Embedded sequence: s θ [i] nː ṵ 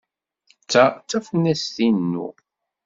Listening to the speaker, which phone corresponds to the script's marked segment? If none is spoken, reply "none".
i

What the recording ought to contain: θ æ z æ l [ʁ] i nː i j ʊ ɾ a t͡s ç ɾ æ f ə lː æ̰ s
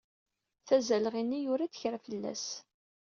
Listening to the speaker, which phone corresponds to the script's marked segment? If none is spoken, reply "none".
ʁ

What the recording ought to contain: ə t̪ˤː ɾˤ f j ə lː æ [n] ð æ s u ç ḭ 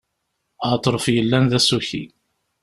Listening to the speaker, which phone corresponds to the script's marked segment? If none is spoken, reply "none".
n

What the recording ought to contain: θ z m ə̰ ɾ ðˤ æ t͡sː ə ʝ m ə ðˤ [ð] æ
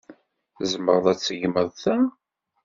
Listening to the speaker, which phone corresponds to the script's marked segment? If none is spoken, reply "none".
θ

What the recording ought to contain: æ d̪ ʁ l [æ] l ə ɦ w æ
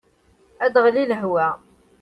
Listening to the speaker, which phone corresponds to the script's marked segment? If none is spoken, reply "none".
i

